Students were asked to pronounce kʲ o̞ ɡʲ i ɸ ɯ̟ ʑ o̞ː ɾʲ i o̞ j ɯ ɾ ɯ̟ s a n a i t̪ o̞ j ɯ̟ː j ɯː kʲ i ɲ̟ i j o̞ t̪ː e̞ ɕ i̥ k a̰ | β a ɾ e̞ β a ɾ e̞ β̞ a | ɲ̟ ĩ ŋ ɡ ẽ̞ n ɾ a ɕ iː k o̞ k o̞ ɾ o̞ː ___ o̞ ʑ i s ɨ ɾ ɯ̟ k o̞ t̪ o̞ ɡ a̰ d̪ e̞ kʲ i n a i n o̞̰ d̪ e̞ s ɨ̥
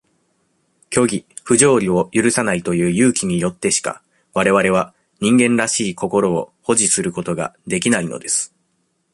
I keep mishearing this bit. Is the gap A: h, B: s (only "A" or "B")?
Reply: A